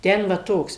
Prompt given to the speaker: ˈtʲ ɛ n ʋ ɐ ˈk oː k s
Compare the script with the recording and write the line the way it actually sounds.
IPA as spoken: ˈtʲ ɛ n ʋ ɐ ˈt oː k s